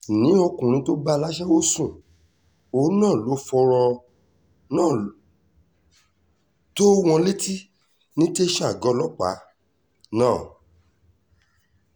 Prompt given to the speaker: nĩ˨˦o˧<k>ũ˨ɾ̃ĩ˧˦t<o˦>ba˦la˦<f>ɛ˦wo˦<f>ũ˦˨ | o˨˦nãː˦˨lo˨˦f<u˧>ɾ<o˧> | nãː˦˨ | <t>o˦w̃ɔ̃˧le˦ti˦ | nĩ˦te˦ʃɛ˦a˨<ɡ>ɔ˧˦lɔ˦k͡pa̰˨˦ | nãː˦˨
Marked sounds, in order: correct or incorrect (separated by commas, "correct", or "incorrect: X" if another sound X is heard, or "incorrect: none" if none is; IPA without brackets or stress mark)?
correct, correct, incorrect: ʃ, incorrect: s, incorrect: ɔ˧, incorrect: ɔ˧, correct, correct